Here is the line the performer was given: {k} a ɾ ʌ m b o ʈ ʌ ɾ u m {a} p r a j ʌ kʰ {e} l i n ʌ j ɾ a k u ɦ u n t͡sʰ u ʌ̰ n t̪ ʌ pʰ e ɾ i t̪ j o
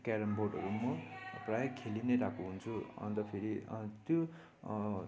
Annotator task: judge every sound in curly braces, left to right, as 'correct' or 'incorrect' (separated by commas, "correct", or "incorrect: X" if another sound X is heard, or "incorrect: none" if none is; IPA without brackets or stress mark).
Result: correct, incorrect: ʌ, correct